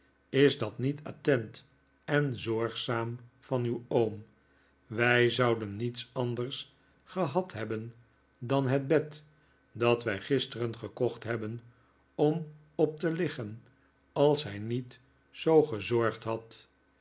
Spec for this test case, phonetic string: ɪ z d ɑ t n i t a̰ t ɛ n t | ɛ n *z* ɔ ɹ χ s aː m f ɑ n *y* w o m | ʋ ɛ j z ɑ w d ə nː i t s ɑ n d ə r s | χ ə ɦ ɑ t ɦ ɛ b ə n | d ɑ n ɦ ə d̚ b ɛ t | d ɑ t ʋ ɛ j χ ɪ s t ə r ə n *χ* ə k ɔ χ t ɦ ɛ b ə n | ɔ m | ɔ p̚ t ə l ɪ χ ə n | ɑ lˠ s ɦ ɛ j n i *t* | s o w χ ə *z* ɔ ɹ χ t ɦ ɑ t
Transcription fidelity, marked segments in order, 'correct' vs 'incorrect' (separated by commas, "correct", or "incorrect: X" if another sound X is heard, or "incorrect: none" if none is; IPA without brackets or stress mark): correct, correct, correct, correct, correct